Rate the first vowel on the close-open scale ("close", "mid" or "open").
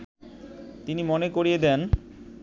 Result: close